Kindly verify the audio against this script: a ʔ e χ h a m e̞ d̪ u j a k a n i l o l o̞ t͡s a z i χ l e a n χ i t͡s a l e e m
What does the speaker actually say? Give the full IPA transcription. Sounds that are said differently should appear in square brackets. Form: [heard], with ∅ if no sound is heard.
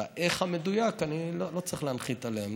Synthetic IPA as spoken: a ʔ e χ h a m e̞ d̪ u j a k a n i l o l o̞ t͡s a [ʁ] i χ l e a n χ i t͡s a l e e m